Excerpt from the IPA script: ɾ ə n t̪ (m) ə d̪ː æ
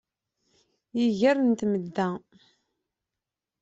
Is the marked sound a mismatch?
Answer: no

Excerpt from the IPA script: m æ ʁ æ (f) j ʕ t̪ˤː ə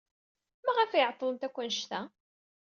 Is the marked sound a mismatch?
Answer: no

